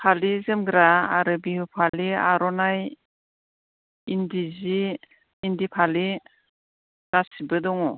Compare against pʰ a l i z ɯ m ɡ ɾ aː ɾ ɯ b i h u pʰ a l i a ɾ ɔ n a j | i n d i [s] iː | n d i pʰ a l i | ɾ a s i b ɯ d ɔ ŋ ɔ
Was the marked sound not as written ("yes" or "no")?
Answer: yes